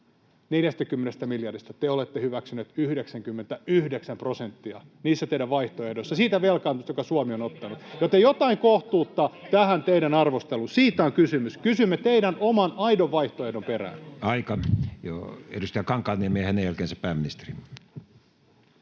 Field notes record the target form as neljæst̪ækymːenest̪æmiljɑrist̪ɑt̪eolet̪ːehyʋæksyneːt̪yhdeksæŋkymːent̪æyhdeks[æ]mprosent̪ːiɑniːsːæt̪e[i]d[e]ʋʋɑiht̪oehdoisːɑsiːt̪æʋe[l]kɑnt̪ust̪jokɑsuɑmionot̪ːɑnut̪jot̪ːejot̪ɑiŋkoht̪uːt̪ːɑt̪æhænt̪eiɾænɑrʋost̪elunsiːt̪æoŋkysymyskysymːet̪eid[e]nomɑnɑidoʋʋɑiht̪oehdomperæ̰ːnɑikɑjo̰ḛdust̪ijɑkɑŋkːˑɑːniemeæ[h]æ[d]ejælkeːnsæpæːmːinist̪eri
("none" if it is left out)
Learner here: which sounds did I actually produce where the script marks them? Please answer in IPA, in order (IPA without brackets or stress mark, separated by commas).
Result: æ, i, æ, l, æ, h, n